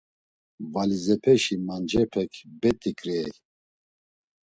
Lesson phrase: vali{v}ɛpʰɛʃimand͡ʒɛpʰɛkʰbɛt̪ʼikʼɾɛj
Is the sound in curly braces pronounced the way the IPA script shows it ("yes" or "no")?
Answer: no